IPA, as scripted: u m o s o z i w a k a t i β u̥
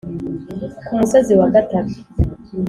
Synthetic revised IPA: u m u s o z i w a ɡ a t a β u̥